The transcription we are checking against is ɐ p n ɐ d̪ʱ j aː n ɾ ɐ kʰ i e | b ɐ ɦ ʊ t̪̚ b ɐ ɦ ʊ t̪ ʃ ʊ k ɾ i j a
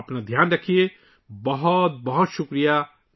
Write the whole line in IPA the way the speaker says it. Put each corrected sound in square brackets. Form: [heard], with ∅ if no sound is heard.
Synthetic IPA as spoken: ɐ p n [a] d̪ʱ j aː n ɾ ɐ kʰ i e | b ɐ ɦ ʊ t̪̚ b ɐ ɦ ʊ t̪ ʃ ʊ k ɾ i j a

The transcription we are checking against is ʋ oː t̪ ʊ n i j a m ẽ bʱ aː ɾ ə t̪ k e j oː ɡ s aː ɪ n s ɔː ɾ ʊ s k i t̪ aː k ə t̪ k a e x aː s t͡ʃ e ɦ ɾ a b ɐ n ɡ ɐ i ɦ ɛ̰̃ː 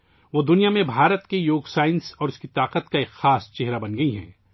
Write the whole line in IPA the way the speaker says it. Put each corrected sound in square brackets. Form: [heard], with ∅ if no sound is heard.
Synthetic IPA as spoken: ʋ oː [d̪] ʊ n i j a m ẽ bʱ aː ɾ ə t̪ k e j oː ɡ s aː ɪ n s ɔː ɾ ʊ s k i t̪ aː [q] ə t̪ k a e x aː s t͡ʃ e ɦ ɾ a b ɐ n ɡ ɐ i ɦ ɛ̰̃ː

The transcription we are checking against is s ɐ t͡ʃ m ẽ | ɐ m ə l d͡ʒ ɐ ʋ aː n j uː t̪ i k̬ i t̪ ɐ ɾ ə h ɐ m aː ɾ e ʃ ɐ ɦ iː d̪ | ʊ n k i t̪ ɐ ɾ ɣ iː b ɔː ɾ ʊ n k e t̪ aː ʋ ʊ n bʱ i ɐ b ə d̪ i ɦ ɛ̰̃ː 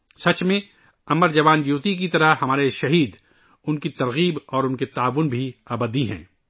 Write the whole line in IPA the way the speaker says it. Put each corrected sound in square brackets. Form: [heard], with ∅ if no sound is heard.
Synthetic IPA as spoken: s ɐ t͡ʃ m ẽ | ɐ m ə [ɾ] d͡ʒ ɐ ʋ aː n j uː t̪ i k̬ i t̪ ɐ ɾ ə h ɐ m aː ɾ e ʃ ɐ ɦ iː d̪ | ʊ n k i t̪ ɐ ɾ ɣ iː b ɔː ɾ ʊ n k e t̪ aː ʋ ʊ n bʱ i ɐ b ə d̪ i ɦ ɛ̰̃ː

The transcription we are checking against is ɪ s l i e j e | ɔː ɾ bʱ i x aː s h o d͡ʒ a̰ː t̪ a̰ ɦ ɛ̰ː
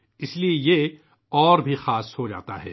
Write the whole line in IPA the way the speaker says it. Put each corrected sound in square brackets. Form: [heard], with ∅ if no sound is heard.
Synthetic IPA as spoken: ɪ s l i e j e | ɔː ɾ bʱ i x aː s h o d͡ʒ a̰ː t̪ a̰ ɦ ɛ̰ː

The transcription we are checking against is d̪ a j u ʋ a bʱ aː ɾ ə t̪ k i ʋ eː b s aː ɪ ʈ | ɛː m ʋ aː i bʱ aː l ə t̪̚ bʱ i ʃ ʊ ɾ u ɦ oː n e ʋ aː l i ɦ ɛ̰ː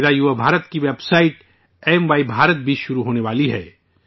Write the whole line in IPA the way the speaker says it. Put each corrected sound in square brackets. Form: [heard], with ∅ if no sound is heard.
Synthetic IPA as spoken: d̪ a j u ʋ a bʱ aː ɾ ə t̪ k i ʋ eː b s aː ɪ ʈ | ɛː m ʋ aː i bʱ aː [ɾ] ə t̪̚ bʱ i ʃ ʊ ɾ u ɦ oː n e ʋ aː l i ɦ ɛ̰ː

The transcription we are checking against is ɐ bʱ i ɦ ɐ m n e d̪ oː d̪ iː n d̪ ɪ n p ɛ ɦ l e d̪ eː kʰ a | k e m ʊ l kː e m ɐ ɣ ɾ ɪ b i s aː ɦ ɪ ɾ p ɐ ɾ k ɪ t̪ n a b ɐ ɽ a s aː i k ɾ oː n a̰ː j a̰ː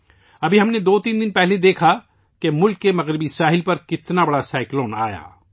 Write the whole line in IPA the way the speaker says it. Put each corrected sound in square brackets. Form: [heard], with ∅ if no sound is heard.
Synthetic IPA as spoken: ɐ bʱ i ɦ ɐ m n e d̪ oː [t̪] iː n d̪ ɪ n p ɛ ɦ l e d̪ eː kʰ a | k e m ʊ l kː e m ɐ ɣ ɾ ɪ b i s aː ɦ ɪ [l] p ɐ ɾ k ɪ t̪ n a b ɐ ɽ a s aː [ɪ] k [l] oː n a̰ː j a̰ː

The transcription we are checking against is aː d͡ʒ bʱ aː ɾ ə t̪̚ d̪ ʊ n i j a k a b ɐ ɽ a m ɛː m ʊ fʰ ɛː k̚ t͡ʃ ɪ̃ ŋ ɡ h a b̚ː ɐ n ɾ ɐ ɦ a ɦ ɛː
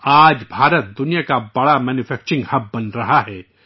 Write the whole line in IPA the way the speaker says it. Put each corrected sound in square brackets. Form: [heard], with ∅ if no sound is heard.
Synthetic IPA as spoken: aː d͡ʒ bʱ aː ɾ ə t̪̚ d̪ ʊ n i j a k a b ɐ ɽ a m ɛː [n] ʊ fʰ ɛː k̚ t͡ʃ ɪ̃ ŋ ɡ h [ɐ] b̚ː ɐ n ɾ ɐ ɦ a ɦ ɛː

